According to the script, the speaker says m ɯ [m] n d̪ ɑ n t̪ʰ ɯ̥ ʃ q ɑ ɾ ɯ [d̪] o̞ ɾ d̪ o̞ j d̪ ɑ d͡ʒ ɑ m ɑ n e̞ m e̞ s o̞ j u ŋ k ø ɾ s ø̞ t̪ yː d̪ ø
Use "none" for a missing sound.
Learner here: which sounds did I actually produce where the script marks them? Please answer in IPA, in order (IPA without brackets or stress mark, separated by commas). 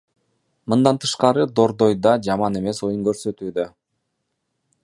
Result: none, d̪